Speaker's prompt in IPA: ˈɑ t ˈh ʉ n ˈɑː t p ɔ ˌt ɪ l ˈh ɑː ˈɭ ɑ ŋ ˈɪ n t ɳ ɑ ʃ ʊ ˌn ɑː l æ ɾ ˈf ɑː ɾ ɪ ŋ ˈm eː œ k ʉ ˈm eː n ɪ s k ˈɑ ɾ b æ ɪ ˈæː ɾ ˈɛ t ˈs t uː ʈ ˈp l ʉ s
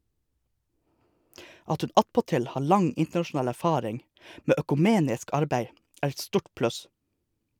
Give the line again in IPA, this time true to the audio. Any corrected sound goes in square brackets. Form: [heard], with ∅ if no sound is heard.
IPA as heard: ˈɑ t ˈh ʉ n [ˈɑ] t p ɔ ˌt ɪ l ˈh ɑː ˈɭ ɑ ŋ ˈɪ n t ɳ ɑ ʃ ʊ ˌn ɑː l æ ɾ ˈf ɑː ɾ ɪ ŋ ˈm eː œ k ʉ ˈm eː n ɪ s k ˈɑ ɾ b æ ɪ ˈæː ɾ ˈɛ t ˈs t uː ʈ ˈp l ʉ s